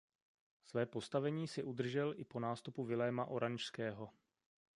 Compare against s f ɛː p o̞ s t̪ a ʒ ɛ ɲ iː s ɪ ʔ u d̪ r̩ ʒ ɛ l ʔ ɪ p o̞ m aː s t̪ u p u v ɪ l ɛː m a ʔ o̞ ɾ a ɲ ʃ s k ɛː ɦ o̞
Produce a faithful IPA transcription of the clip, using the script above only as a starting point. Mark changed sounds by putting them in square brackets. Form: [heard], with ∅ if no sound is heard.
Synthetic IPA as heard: s [v] ɛː p o̞ s t̪ a [v] ɛ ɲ iː s ɪ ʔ u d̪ r̩ ʒ ɛ l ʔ ɪ p o̞ [n] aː s t̪ u p u v ɪ l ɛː m a ʔ o̞ ɾ a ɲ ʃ s k ɛː ɦ o̞